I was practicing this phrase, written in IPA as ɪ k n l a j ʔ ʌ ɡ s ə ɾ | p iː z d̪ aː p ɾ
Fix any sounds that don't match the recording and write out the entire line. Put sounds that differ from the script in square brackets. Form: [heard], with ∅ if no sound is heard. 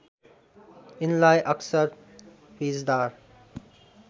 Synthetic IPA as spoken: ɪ [∅] n l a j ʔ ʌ [k] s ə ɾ | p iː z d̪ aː [∅] ɾ